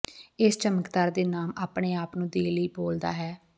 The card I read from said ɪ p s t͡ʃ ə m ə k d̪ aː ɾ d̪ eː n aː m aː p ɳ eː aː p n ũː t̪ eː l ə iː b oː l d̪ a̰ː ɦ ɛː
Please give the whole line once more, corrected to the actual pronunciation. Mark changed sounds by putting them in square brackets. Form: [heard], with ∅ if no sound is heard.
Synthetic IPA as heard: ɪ [∅] s t͡ʃ ə m ə k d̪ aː ɾ d̪ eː n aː m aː p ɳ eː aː p n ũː [d̪] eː l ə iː b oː l d̪ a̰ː ɦ ɛː